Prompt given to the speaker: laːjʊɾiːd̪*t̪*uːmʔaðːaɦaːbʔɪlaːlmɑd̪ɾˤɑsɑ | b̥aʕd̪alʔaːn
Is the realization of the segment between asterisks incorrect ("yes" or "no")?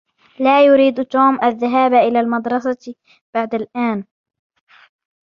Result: no